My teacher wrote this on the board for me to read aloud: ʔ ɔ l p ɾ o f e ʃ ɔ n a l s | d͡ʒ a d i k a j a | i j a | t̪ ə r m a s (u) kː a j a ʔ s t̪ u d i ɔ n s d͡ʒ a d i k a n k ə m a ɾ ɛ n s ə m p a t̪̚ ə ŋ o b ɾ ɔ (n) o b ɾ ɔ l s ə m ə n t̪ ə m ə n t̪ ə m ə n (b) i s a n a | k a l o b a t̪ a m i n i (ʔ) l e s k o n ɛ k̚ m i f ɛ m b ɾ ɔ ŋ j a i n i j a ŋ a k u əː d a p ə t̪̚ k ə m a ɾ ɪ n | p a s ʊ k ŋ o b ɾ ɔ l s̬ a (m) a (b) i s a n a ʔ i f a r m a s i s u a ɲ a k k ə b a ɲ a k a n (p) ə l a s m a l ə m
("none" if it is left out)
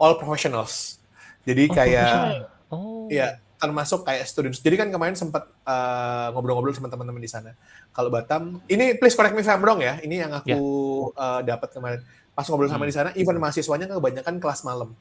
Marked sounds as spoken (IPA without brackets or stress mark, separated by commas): ʊ, ŋ, d, p, m, d, k